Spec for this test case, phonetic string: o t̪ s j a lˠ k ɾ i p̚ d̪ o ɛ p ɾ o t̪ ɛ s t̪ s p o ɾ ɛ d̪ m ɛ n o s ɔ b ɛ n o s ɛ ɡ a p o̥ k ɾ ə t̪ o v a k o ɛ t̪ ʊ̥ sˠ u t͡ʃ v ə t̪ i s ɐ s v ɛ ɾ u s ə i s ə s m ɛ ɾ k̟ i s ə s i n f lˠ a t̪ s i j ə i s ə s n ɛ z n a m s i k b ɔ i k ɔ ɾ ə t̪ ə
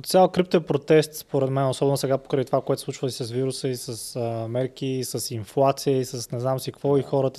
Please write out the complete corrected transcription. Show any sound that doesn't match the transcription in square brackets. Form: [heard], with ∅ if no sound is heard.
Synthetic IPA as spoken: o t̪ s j a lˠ k ɾ i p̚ [t̪] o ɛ p ɾ o t̪ ɛ s t̪ s p o ɾ ɛ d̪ m ɛ n o s ɔ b ɛ n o s ɛ ɡ a p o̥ k ɾ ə t̪ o v a k o ɛ t̪ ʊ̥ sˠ u t͡ʃ v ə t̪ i s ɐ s v [i] ɾ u s ə i s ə s m ɛ ɾ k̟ i s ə s i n f lˠ a t̪ s i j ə i s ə s n ɛ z n a m s i k [v] ɔ i [x] ɔ ɾ ə t̪ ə